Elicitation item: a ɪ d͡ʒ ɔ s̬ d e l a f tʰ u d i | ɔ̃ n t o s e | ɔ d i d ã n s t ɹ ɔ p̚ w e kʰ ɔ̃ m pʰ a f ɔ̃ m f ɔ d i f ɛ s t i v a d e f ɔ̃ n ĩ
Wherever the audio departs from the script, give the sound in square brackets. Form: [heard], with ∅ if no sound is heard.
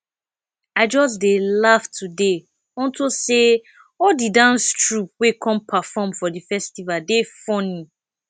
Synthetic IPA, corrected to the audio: a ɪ d͡ʒ ɔ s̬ d e l a f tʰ u d [e] | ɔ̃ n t o s e | ɔ d i d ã n s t ɹ [u] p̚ w e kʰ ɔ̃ m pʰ a f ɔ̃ m f ɔ d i f ɛ s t i v a d e f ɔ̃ n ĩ